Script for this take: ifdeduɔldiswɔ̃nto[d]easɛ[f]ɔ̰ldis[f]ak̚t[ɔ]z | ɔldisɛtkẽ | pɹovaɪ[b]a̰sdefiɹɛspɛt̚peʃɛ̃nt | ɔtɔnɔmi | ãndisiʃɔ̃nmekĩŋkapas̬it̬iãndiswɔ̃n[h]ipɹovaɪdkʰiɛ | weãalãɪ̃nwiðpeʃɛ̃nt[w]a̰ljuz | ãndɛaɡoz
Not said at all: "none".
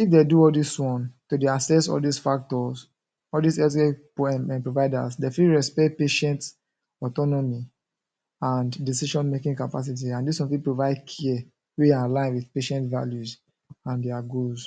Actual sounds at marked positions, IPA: d, s, f, ɔ, d, f, v

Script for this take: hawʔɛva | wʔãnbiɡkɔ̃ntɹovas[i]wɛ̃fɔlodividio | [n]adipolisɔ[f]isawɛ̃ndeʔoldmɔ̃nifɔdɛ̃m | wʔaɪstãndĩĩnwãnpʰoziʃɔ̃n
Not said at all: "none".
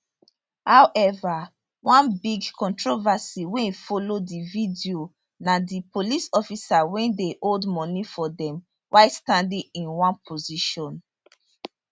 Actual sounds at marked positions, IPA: i, n, f

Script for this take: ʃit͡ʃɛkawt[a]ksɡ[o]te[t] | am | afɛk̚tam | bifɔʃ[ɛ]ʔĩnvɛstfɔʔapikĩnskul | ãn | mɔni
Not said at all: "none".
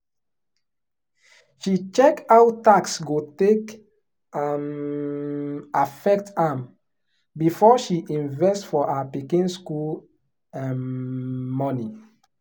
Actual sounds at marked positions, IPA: a, o, k, i

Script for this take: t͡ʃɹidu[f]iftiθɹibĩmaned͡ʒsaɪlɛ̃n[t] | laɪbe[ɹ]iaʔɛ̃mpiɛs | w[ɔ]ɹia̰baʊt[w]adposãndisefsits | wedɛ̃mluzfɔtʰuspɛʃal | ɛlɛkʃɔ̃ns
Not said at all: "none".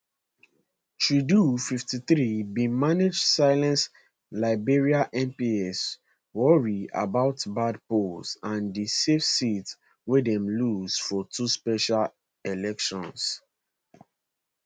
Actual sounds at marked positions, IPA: f, s, ɹ, ɔ, b

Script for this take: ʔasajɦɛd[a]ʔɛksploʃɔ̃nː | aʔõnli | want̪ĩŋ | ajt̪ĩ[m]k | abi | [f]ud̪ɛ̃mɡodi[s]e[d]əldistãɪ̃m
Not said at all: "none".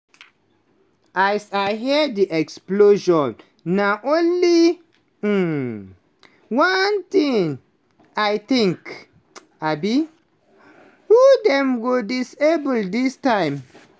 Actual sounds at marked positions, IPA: i, ŋ, h, s, b

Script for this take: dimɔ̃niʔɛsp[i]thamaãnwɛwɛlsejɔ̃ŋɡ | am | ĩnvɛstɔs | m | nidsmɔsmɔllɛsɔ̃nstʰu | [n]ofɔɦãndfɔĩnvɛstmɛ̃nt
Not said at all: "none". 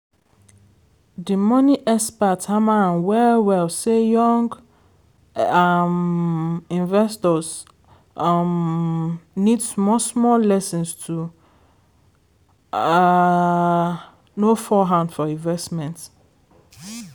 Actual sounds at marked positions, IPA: a, n

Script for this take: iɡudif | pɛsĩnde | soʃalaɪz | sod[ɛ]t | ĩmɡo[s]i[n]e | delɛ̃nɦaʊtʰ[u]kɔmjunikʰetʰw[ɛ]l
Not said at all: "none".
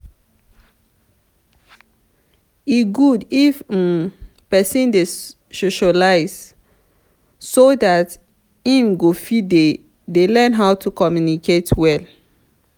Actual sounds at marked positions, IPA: a, f, d, u, ɛ

